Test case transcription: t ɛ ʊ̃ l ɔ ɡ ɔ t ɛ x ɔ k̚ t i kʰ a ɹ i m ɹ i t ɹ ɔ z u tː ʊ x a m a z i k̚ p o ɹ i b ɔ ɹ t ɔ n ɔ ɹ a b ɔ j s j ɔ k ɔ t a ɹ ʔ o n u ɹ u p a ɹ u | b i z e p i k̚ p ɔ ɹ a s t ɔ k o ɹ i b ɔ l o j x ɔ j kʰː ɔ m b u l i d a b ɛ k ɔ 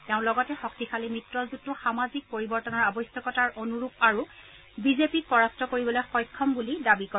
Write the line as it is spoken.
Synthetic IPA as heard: t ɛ ʊ̃ l ɔ ɡ ɔ t ɛ x ɔ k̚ t i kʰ a l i m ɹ i t ɹ ɔ z u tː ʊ x a m a z i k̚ p o ɹ i b ɔ ɹ t ɔ n ɔ ɹ a b ɔ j s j ɔ k ɔ t a ɹ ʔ o n u ɹ u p a ɹ u | b i z e p i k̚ p ɔ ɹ a s t ɔ k o ɹ i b ɔ l o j x ɔ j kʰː ɔ m b u l i d a b i k ɔ